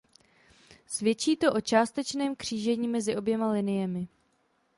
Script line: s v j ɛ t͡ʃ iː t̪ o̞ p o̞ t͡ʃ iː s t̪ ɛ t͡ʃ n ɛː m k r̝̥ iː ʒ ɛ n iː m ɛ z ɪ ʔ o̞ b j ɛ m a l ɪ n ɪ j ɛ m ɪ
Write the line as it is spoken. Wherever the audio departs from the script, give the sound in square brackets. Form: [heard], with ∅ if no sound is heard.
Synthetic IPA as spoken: s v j ɛ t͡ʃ iː t̪ o̞ [ʔ] o̞ t͡ʃ [aː] s t̪ ɛ t͡ʃ n ɛː m k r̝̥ iː ʒ ɛ [ɲ] iː m ɛ z ɪ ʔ o̞ b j ɛ m a l ɪ n ɪ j ɛ m ɪ

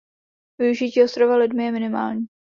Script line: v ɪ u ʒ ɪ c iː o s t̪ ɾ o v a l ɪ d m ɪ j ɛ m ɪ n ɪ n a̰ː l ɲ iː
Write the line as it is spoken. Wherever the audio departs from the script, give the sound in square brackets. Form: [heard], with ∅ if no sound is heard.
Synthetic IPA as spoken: v ɪ u ʒ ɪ c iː o s t̪ ɾ o v a l ɪ d m ɪ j ɛ m ɪ n ɪ [m] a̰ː l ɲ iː

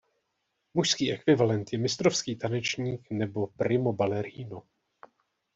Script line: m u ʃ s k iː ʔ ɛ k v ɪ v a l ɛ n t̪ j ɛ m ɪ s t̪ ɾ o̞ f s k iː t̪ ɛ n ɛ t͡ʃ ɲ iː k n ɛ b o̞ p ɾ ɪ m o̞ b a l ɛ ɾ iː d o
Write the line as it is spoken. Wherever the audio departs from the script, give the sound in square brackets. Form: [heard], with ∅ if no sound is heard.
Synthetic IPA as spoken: m u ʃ s k iː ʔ ɛ k v ɪ v a l ɛ n t̪ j ɛ m ɪ s t̪ ɾ o̞ f s k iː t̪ [a] n ɛ t͡ʃ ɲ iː k n ɛ b o̞ p ɾ ɪ m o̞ b a l ɛ ɾ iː [n] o

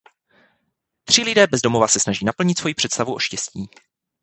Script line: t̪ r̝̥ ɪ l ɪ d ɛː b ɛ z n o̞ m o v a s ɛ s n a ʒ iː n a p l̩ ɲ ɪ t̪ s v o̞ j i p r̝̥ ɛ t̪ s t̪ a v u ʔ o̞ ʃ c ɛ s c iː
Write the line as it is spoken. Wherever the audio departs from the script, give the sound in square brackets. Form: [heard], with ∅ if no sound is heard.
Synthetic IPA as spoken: t̪ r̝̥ ɪ l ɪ d ɛː b ɛ z [d] o̞ m o v a s ɛ s n a ʒ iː n a p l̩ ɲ ɪ t̪ s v o̞ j i p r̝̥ ɛ t̪ s t̪ a v u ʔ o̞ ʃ c ɛ s c iː

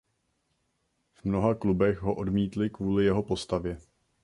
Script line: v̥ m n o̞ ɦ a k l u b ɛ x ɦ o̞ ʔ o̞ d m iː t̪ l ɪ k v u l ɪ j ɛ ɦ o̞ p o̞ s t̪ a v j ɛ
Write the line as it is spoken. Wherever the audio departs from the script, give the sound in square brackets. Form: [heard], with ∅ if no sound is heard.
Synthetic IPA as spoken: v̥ m n o̞ ɦ a k l u b ɛ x ɦ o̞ ʔ o̞ d m iː t̪ l ɪ k v [uː] l ɪ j ɛ ɦ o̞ p o̞ s t̪ a v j ɛ

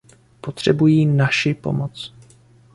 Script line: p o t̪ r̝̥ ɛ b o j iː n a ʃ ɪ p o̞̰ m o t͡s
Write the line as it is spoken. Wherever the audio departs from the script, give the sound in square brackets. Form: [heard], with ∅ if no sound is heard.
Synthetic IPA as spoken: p o t̪ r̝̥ ɛ b [u] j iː n a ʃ ɪ p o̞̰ m o t͡s

